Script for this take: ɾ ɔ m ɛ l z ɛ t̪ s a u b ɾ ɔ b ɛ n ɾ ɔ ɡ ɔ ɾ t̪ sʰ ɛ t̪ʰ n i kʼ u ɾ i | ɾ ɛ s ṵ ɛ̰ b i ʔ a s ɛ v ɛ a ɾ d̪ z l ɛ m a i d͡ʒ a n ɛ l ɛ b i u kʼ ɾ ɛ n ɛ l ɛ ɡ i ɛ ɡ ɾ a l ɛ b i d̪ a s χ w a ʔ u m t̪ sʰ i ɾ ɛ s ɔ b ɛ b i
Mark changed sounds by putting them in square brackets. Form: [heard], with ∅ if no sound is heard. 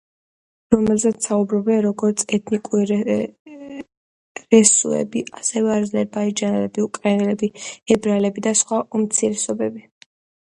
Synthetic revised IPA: ɾ ɔ m ɛ l z ɛ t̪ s a u b ɾ ɔ b ɛ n ɾ ɔ ɡ ɔ ɾ t̪ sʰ ɛ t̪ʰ n i kʼ u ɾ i | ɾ ɛ s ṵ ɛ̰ b i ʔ a s ɛ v ɛ a ɾ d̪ z l ɛ [b] a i d͡ʒ a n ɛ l ɛ b i u kʼ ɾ ɛ n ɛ l ɛ [b] i ɛ [b] ɾ a l ɛ b i d̪ a s χ w a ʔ u m t̪ sʰ i ɾ ɛ s ɔ b ɛ b i